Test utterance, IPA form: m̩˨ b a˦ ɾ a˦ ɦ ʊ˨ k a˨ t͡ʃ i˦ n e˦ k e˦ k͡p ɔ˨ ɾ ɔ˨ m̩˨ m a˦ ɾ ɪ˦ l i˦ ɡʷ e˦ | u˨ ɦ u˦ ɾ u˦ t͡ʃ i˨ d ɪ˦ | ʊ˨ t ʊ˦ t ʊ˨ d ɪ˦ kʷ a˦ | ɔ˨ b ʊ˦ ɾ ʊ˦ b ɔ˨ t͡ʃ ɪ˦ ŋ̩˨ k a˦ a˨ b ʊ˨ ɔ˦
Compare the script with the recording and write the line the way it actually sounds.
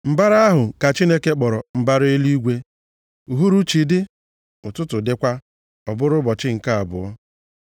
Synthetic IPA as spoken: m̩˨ b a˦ ɾ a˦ ɦ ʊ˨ k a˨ t͡ʃ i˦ n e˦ k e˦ k͡p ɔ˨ ɾ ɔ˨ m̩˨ b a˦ ɾ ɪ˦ l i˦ ɡʷ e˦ | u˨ ɦ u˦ ɾ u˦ t͡ʃ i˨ d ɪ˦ | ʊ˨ t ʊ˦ t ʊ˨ d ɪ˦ kʷ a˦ | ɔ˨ b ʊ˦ ɾ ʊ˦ b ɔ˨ t͡ʃ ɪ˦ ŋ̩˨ k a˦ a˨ b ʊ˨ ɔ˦

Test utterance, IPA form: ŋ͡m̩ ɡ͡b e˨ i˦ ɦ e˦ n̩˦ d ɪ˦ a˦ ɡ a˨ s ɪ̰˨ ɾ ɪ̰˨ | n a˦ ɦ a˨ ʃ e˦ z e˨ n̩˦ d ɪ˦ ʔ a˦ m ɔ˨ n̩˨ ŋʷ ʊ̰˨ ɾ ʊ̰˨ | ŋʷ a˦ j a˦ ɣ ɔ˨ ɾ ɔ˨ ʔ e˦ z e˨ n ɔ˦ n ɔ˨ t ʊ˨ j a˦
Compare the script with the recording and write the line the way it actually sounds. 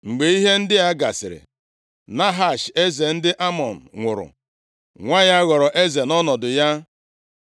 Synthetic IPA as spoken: ŋ͡m̩ ɡ͡b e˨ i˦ ɦ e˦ n̩˦ d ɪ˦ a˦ ɡ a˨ s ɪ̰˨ ɾ ɪ̰˨ | n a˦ ɦ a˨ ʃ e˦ z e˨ n̩˦ d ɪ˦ ʔ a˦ m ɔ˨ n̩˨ ŋʷ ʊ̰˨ ɾ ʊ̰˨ | ŋʷ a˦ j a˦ ɣ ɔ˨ ɾ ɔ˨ ʔ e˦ z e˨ n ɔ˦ n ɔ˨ d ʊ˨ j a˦

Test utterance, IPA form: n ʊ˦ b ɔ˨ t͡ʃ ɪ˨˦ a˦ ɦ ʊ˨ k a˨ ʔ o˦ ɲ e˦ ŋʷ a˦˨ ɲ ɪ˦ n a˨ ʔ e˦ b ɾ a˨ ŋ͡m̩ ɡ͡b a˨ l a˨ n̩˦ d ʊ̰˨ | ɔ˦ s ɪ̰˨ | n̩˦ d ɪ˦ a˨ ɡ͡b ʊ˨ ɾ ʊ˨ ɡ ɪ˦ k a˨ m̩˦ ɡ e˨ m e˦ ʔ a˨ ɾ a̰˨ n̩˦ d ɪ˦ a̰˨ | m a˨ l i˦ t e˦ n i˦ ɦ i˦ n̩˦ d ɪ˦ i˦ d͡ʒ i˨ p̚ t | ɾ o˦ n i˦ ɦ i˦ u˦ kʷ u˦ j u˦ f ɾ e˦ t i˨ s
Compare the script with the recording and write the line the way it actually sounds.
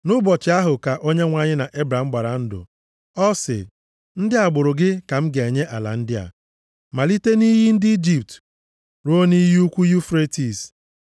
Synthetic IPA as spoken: n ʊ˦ b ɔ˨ t͡ʃ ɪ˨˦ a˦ ɦ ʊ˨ k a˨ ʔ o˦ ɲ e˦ ŋʷ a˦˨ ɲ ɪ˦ n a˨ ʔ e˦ b ɾ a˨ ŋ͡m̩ ɡ͡b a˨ ɾ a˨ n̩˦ d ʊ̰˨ | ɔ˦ s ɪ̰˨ | n̩˦ d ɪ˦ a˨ ɡ͡b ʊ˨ ɾ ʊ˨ ɡ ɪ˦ k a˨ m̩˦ ɡ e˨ ɲ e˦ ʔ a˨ l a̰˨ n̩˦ d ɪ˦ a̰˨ | m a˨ l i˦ t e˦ n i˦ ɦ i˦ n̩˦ d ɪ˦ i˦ d͡ʒ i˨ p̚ t | ɾ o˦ n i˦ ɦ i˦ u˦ kʷ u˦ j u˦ f ɾ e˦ t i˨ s

